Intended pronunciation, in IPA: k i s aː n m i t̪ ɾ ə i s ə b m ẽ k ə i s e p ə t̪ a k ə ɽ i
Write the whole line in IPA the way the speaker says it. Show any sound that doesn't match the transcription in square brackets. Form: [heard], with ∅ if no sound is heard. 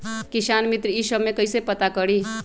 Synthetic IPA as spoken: k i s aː n m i t̪ ɾ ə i s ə b m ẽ k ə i s e p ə t̪ a k ə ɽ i